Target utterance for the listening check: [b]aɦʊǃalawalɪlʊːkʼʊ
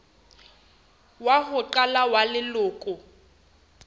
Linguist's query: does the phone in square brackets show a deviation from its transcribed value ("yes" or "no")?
yes